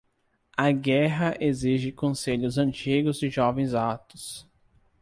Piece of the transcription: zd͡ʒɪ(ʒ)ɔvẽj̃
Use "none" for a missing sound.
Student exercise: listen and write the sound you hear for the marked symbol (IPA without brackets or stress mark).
ʒ